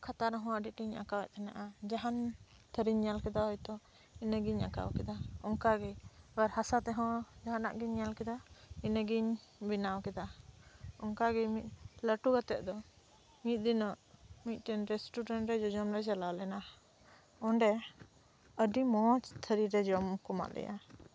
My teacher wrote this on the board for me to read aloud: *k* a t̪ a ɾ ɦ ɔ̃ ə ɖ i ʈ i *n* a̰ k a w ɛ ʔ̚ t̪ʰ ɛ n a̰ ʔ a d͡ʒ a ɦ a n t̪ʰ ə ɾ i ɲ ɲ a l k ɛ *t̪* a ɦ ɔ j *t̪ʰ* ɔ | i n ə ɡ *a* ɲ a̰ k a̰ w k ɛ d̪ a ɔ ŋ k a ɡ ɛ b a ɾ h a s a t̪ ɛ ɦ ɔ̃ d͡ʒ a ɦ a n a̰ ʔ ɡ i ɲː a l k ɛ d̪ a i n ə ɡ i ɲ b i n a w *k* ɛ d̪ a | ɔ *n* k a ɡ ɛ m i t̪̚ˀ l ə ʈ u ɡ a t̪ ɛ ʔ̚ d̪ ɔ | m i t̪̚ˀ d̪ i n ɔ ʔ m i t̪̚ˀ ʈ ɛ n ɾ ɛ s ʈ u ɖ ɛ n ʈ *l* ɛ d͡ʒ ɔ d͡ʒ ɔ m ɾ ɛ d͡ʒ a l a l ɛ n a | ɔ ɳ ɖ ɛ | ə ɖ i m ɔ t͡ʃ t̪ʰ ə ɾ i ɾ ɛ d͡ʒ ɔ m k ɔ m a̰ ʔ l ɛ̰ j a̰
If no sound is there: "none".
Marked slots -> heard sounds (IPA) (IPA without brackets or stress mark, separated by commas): kʰ, ɲ, d̪, t̪, i, k, ŋ, ɾ